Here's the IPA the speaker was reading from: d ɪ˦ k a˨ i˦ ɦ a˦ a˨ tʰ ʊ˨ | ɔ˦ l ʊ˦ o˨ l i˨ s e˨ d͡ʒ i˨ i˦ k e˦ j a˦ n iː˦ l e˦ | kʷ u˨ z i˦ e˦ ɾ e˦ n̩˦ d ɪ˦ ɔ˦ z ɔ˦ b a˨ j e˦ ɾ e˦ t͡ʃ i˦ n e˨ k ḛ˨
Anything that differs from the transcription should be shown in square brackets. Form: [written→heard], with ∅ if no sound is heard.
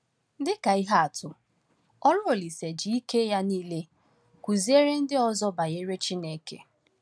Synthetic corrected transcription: d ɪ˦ k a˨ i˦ ɦ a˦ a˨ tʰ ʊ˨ | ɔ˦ l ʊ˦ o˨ l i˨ s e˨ d͡ʒ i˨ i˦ k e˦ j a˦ n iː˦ l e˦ | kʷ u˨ z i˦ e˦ ɾ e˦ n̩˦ d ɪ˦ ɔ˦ z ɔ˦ b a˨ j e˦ ɾ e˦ t͡ʃ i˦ n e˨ k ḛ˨